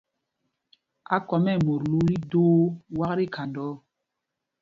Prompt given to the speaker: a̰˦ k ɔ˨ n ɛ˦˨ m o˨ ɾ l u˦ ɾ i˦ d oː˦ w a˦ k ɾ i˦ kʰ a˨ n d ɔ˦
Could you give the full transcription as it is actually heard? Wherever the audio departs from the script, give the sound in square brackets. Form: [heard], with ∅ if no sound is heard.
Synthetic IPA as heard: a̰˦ k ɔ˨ [m] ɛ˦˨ m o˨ ɾ l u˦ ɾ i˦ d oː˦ w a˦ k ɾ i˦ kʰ a˨ n d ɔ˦